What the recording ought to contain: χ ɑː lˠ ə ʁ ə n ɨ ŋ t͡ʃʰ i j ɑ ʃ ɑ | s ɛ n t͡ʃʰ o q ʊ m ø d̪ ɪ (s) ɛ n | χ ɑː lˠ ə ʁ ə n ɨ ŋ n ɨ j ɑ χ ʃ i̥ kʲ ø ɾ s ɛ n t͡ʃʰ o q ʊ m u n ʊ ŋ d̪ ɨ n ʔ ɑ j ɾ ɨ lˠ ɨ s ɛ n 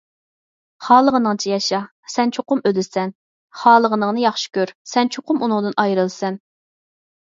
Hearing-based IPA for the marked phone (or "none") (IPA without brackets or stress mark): s